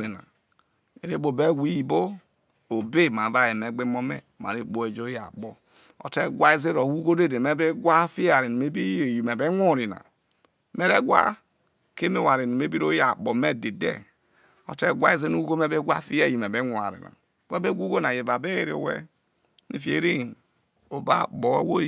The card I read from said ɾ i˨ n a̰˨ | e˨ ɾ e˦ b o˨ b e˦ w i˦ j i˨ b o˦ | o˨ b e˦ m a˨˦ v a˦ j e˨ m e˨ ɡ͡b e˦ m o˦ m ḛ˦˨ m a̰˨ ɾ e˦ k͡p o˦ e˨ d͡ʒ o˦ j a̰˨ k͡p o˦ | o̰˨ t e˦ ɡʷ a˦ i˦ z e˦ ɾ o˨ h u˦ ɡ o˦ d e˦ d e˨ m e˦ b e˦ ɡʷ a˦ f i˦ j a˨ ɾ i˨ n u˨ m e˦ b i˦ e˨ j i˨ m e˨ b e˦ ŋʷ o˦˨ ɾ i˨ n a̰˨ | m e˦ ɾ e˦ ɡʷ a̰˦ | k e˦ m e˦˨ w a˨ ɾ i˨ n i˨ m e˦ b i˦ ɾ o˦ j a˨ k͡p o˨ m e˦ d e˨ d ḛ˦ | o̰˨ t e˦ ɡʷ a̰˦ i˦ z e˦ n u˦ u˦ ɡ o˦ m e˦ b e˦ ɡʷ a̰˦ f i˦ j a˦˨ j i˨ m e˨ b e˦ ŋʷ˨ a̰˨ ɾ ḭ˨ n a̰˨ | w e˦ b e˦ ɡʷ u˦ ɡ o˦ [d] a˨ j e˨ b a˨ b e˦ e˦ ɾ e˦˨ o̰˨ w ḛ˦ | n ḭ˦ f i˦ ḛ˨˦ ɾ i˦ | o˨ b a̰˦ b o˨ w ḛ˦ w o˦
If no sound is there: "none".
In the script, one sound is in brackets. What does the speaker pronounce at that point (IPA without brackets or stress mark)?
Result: n